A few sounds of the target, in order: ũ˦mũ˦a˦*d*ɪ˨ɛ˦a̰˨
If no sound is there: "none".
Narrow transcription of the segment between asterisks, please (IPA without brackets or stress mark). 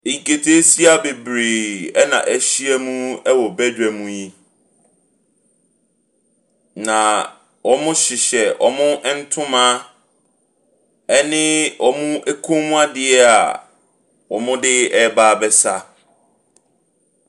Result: d